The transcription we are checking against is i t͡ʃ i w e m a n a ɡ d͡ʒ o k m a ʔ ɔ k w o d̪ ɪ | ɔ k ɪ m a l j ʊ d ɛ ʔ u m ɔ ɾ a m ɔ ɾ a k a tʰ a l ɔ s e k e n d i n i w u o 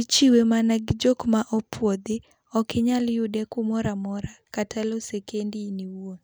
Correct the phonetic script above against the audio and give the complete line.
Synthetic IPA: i t͡ʃ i w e m a n a ɡ d͡ʒ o k m a ʔ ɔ p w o d̪ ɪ | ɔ k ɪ ɲ a l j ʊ d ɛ k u m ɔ ɾ a m ɔ ɾ a k a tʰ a l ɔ s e k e n d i n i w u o